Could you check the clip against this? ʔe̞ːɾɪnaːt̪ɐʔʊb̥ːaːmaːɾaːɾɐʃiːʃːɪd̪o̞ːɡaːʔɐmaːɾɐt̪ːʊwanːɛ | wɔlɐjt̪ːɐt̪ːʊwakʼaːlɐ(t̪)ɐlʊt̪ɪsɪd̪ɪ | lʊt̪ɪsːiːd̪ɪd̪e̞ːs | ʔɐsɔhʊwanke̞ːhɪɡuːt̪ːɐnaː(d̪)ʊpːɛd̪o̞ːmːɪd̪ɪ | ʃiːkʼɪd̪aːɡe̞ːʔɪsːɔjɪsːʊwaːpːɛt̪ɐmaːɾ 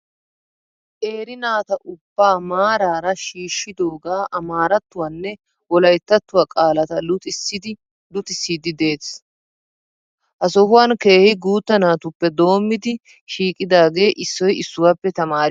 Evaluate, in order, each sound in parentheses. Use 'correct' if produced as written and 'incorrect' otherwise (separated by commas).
correct, incorrect